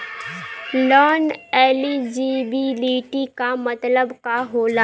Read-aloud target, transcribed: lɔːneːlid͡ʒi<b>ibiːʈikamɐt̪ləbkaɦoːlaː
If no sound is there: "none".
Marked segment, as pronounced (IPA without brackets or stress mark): b